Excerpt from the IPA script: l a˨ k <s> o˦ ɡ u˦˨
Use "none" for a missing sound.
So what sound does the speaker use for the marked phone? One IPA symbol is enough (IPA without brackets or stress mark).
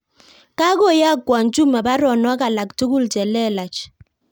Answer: t